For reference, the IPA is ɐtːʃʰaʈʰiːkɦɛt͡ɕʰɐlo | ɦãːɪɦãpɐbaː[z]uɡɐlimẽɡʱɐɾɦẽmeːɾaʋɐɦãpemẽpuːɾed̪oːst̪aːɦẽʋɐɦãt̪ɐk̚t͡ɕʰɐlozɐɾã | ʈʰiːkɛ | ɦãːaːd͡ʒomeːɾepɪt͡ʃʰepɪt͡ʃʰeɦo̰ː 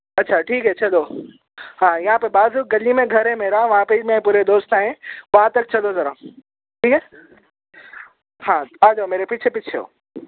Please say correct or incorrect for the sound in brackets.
correct